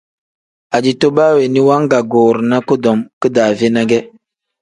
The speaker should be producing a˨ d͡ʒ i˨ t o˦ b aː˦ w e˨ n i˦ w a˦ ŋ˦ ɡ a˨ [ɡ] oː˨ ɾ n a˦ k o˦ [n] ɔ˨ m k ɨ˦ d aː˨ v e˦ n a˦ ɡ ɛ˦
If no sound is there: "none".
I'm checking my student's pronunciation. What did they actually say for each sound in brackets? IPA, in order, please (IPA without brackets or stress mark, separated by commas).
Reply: ɡ, d